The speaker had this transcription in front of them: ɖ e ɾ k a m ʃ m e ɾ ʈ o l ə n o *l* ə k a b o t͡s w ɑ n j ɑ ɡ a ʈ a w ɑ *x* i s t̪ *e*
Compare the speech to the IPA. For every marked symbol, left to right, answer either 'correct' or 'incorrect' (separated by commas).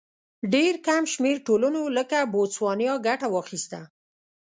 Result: correct, correct, incorrect